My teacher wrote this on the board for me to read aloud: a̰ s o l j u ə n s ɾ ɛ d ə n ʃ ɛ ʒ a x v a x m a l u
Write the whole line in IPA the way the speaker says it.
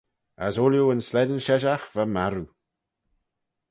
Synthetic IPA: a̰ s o l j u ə n s l ɛ d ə n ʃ ɛ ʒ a x v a m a ɾ u

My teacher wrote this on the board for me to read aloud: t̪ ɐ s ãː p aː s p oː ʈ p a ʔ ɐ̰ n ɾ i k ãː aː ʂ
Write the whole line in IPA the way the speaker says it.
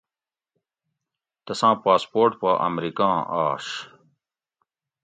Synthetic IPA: t̪ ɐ s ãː p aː s p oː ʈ p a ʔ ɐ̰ m ɾ i k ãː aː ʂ

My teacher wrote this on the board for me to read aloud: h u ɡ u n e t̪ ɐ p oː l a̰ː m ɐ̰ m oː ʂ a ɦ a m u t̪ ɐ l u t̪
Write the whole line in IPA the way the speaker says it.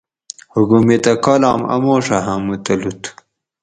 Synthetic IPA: h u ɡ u m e t̪ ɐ k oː l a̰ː m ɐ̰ m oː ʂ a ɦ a m u t̪ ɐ l u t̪

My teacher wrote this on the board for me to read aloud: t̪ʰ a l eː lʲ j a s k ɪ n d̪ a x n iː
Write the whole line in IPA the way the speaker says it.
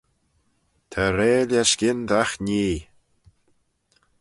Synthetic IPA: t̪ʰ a ɾ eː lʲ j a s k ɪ n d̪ a x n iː

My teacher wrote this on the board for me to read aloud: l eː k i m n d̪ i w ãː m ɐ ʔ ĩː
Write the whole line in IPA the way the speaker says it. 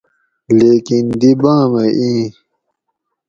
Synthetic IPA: l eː k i n d̪ i b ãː m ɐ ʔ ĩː

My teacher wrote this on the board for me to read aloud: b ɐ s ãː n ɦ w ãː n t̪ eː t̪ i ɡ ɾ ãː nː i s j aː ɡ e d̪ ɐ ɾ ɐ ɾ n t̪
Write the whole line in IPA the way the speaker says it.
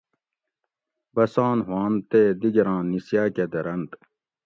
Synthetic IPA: b ɐ s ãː n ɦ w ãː n t̪ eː d̪ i ɡ ɾ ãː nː i s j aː k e d̪ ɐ ɾ ɐ n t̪

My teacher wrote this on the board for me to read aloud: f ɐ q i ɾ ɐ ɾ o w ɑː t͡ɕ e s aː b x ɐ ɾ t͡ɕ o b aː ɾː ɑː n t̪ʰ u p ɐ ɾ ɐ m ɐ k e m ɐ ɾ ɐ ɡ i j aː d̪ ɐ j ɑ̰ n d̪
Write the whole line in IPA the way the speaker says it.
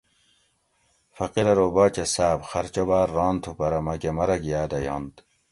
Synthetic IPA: f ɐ q i ɾ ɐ ɾ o b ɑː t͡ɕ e s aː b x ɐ ɾ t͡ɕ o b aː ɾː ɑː n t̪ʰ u p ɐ ɾ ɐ m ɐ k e m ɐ ɾ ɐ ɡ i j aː d̪ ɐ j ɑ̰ n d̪

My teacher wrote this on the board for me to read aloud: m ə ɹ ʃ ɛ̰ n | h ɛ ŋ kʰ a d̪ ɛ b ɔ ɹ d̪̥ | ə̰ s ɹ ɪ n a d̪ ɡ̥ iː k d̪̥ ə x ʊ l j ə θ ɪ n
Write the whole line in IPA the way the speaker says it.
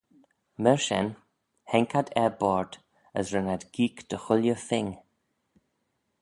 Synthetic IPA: m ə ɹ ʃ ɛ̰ n | h ɛ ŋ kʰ a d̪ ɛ b ɔ ɹ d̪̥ | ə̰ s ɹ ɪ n a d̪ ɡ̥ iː k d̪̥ ə x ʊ l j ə θ ɪ ŋ

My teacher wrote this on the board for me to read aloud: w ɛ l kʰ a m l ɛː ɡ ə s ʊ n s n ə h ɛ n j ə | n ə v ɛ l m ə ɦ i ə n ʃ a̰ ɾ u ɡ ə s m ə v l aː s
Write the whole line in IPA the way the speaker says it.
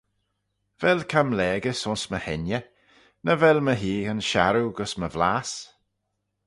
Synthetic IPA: v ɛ l kʰ a m l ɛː ɡ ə s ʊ n s m ə h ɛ n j ə | n ə v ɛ l m ə ɦ iː ə n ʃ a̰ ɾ u ɡ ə s m ə v l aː s

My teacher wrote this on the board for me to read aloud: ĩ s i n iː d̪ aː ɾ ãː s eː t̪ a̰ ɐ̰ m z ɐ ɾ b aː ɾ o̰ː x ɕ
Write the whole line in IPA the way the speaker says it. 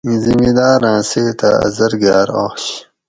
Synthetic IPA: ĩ z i m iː d̪ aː ɾ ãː s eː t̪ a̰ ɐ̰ z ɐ ɾ ɡ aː ɾ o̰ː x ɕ

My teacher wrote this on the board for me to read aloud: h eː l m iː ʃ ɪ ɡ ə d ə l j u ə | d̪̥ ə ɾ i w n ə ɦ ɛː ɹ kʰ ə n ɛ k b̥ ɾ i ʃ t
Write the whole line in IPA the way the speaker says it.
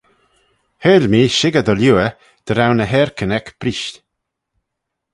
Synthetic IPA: h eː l m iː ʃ ɪ ɡ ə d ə l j u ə | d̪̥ ə ɾ a w n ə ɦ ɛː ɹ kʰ ə n ɛ k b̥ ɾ i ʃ t

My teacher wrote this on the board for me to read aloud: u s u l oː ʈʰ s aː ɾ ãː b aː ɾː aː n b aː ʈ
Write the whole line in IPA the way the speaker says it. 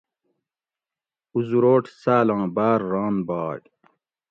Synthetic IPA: u z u ɾ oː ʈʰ s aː l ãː b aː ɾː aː n b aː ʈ

